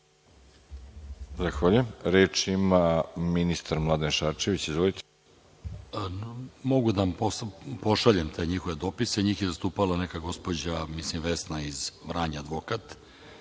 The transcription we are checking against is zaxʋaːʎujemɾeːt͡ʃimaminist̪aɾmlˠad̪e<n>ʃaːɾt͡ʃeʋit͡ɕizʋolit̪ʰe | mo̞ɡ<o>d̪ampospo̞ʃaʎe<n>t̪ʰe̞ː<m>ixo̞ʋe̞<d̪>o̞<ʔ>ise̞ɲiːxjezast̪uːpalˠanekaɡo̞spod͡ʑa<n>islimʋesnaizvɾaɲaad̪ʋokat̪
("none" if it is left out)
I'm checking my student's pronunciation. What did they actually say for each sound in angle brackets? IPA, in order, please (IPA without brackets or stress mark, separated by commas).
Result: n, u, m, ɲ, d̪, p, m